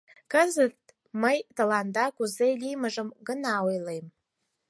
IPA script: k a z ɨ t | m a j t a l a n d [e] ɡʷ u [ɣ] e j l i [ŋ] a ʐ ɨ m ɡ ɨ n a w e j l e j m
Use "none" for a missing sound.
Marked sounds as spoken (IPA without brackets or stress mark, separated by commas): a, z, m